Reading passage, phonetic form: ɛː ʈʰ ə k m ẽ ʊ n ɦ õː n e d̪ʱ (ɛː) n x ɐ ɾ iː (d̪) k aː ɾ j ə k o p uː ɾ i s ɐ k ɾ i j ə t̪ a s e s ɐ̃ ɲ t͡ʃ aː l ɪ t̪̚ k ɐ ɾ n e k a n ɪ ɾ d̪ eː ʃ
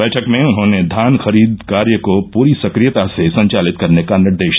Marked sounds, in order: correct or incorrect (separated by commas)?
incorrect, correct